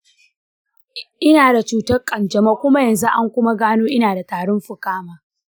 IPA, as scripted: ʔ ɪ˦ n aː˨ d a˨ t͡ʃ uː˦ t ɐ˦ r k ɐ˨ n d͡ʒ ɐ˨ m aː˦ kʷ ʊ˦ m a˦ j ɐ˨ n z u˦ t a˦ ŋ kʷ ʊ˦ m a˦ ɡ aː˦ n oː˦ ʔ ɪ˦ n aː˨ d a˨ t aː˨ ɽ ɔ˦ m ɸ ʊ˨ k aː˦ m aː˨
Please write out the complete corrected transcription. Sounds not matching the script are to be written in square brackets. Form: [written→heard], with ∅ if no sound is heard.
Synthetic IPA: ʔ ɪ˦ n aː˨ d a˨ t͡ʃ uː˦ t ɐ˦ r [k→kʼ] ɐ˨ n d͡ʒ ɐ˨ m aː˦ kʷ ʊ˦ m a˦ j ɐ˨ n z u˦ [t→ʔ] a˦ ŋ kʷ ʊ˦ m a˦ ɡ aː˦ n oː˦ ʔ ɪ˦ n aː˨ d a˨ t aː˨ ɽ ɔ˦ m ɸ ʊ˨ k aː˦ m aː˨